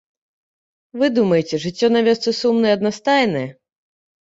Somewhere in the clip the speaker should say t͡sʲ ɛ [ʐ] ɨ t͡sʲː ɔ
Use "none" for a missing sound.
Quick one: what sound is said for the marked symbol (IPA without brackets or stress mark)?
ʐ